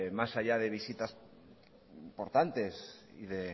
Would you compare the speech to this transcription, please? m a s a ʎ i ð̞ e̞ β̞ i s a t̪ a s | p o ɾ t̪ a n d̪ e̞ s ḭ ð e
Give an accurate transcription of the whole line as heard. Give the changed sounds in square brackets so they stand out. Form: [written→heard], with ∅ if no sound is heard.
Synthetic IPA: m a s a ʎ [i→a] ð̞ e̞ β̞ i s [a→i] t̪ a s | p o ɾ t̪ a n [d̪→t̪] e̞ s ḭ ð e